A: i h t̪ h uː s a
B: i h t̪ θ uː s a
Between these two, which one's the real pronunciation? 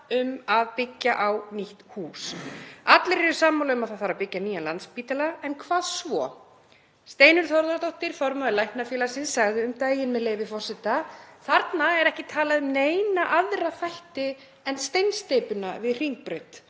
A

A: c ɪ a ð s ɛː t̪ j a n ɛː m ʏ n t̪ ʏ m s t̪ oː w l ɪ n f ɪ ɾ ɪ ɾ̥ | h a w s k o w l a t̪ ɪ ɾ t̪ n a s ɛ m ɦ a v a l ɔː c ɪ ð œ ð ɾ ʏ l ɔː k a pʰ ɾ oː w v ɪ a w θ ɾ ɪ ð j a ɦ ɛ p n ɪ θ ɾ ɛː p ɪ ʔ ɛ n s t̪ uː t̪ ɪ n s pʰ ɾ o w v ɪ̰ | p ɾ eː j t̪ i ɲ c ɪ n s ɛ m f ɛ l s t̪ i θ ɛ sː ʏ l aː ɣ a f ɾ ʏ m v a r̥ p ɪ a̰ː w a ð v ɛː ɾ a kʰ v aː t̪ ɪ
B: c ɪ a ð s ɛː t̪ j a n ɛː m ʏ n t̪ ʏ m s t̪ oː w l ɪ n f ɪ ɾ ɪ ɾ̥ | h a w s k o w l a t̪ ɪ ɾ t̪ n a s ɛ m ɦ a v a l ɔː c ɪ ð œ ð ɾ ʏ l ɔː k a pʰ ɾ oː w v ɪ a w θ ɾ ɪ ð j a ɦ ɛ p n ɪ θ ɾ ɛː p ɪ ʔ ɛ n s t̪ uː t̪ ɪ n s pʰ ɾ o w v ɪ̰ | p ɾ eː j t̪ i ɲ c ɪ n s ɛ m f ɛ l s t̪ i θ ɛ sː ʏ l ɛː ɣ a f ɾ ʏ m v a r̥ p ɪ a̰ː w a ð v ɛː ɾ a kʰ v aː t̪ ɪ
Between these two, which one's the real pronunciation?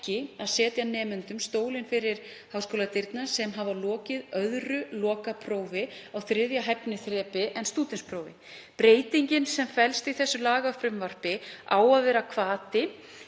A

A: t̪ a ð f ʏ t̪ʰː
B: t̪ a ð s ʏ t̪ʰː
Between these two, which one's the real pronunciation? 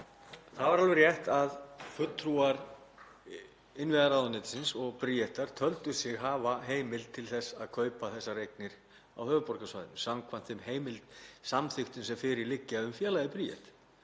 A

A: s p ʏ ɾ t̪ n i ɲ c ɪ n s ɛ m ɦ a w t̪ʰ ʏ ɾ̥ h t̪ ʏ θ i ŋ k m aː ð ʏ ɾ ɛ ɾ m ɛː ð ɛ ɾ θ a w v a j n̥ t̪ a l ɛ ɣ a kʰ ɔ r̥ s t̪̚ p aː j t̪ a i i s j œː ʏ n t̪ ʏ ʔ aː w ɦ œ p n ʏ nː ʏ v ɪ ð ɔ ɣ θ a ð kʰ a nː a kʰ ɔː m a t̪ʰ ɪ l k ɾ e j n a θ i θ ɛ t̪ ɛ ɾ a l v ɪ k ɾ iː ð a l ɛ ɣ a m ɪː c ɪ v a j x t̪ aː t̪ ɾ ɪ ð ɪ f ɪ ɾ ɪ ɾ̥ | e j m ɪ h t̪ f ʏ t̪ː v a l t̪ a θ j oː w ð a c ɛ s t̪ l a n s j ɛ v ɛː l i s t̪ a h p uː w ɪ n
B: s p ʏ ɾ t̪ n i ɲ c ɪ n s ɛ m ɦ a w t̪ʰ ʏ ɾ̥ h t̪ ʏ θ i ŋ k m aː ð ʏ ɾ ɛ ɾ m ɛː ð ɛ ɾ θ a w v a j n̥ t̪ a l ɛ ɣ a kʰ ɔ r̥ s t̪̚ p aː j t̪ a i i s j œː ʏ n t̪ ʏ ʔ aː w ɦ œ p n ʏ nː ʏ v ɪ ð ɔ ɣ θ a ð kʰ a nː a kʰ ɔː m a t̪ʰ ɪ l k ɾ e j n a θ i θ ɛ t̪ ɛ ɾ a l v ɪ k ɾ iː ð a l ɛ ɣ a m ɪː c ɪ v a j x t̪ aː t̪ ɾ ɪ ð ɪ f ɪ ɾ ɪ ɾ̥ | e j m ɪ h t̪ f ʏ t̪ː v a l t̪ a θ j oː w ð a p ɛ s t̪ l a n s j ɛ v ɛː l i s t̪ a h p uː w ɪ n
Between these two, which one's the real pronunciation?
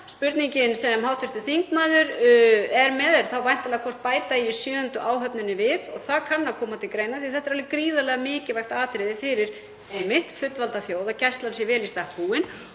A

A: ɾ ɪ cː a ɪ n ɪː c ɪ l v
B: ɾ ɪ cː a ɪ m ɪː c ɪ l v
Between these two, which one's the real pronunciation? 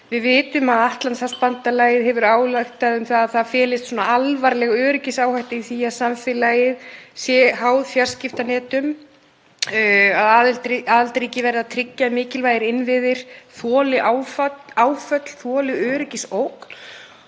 B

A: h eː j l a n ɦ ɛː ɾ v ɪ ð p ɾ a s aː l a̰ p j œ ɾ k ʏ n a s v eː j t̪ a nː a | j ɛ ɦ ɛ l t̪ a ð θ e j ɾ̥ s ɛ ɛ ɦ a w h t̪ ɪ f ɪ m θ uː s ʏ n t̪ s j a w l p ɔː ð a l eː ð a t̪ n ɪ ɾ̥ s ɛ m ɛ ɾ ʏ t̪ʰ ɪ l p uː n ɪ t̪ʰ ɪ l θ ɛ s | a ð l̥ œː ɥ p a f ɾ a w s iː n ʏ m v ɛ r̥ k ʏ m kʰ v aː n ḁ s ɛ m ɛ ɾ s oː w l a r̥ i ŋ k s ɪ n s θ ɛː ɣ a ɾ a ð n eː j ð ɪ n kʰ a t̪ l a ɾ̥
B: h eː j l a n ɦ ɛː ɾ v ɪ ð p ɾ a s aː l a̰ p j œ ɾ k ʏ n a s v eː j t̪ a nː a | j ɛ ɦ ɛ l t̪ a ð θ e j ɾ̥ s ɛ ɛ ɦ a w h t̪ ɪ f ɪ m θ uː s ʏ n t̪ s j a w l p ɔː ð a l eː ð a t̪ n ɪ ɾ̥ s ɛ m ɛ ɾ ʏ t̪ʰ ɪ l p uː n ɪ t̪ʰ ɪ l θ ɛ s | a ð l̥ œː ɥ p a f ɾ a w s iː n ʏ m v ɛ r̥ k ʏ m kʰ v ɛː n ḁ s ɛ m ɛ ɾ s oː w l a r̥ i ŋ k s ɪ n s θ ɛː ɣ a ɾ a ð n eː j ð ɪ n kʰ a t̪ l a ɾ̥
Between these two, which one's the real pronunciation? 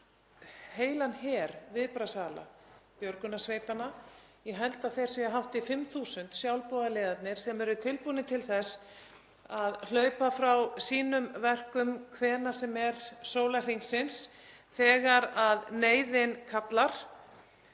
B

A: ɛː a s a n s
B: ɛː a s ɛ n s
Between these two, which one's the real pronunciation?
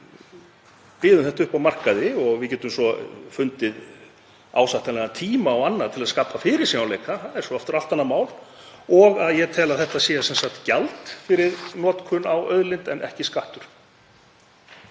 B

